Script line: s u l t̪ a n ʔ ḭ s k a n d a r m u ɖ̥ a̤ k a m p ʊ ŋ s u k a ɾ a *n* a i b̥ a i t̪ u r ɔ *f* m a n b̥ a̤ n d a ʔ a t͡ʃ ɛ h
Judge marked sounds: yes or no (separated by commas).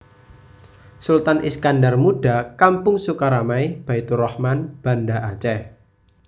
no, no